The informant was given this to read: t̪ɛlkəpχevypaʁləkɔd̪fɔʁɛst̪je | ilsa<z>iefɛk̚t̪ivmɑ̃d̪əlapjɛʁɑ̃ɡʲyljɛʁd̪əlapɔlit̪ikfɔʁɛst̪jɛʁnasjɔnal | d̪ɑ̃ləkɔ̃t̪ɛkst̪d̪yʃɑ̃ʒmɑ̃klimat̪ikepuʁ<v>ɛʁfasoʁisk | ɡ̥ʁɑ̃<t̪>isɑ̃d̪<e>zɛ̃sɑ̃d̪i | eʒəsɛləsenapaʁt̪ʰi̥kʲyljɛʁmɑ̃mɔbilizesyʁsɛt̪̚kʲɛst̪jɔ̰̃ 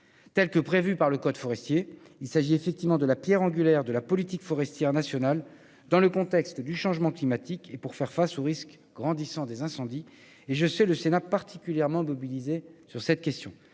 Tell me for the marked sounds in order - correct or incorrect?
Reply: incorrect, incorrect, incorrect, correct

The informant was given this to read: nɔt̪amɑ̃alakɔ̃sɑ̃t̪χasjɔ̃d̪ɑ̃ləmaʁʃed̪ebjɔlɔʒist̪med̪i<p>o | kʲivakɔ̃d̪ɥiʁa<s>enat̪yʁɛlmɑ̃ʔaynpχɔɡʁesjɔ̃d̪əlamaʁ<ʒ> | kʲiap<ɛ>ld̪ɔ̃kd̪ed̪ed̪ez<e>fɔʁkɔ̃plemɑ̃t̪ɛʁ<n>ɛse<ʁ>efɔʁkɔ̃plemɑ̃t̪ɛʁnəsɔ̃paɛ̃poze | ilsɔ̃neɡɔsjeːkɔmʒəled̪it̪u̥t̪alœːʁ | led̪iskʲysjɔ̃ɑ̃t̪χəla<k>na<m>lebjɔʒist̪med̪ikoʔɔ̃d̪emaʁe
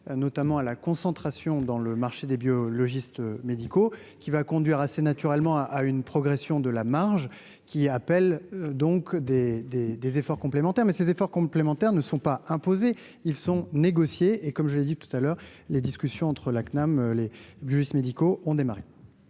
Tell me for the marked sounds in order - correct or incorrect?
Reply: incorrect, correct, correct, correct, correct, incorrect, incorrect, correct, correct

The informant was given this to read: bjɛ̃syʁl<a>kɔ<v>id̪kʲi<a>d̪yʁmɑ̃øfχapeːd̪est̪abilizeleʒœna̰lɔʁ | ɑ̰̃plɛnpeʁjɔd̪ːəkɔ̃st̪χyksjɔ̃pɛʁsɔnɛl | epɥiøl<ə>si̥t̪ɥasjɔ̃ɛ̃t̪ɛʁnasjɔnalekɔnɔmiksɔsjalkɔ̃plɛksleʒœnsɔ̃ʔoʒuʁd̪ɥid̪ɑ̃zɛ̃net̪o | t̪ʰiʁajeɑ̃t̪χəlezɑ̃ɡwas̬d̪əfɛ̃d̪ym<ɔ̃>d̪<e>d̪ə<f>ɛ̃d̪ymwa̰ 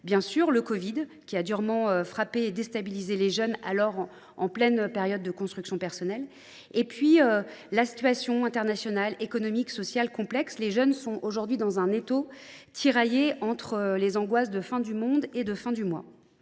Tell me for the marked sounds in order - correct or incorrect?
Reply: incorrect, correct, correct, incorrect, correct, correct, correct

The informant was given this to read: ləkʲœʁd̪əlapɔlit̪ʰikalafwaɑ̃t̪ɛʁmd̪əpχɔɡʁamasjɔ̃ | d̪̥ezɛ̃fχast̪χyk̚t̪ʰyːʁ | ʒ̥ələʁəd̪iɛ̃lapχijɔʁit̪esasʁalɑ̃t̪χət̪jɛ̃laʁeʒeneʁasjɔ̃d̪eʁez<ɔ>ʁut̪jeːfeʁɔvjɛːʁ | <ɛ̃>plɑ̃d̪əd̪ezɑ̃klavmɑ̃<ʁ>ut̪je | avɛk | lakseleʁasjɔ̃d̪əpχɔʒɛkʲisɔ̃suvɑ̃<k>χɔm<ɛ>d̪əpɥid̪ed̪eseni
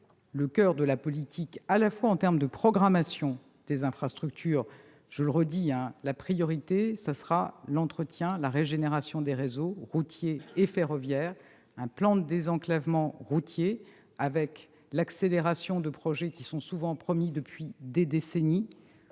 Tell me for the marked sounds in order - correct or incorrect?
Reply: incorrect, correct, correct, incorrect, incorrect

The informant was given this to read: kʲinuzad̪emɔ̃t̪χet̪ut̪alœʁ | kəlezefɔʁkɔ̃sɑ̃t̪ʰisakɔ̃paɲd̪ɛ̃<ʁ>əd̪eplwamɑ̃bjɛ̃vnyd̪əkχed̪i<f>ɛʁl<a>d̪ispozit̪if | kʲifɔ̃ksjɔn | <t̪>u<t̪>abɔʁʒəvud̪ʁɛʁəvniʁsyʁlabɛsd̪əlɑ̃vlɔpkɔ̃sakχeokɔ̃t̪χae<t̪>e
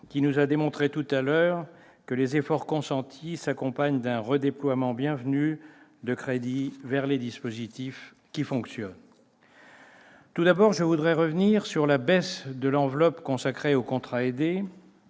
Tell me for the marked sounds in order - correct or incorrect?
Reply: correct, incorrect, incorrect, correct, incorrect, incorrect

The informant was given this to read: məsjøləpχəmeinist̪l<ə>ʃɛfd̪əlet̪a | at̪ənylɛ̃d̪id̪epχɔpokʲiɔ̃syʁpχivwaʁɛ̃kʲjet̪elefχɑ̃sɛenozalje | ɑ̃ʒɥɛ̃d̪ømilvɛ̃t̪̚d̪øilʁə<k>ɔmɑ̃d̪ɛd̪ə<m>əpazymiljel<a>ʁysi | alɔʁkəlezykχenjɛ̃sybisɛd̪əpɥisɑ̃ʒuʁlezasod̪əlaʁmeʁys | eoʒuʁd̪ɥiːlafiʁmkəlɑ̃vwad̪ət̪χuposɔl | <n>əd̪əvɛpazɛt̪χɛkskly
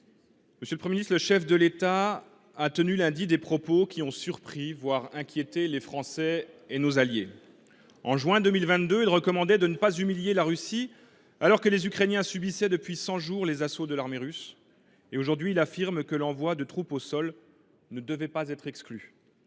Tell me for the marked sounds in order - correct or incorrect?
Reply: correct, correct, incorrect, correct, correct

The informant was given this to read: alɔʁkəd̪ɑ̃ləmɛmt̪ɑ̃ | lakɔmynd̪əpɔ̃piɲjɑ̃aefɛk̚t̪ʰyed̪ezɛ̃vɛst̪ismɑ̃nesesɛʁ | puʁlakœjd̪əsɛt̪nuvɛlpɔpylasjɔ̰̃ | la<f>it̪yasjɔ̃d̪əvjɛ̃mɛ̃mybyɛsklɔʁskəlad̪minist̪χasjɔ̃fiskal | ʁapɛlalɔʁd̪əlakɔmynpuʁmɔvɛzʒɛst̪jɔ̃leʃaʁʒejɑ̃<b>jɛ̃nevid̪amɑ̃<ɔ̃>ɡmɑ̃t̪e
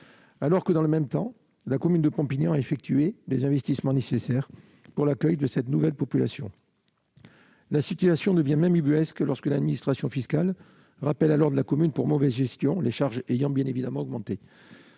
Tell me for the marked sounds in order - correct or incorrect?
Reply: incorrect, correct, incorrect

